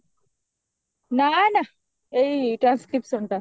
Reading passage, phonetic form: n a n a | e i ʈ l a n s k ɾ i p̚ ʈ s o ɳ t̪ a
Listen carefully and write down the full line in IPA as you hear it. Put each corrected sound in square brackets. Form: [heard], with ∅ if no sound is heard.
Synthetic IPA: n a n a | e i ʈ [ɾ] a n s k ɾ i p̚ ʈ s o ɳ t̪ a